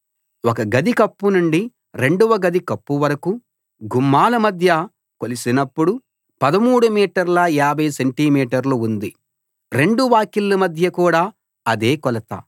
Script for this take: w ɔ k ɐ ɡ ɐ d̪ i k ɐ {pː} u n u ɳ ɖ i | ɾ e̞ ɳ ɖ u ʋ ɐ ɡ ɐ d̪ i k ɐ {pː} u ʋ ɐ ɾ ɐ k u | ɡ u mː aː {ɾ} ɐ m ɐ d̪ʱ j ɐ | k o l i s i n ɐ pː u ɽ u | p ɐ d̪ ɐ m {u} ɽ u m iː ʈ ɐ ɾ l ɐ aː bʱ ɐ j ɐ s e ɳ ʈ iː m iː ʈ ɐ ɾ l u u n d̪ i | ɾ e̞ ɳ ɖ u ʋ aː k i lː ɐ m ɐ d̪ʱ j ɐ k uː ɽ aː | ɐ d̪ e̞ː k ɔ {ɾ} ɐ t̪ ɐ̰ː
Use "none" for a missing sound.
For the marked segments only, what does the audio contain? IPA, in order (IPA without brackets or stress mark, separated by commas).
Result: pː, pː, l, uː, l